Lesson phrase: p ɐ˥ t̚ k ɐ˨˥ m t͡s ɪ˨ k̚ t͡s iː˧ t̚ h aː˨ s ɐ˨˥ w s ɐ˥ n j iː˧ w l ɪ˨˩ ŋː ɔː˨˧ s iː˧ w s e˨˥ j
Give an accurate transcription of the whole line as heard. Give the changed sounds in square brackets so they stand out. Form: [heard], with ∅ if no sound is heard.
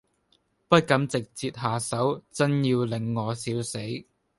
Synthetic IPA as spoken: p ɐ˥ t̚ k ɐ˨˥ m t͡s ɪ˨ k̚ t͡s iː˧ t̚ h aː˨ s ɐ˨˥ w [t͡s] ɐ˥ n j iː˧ w l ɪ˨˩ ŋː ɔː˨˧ s [iː˨˥] w s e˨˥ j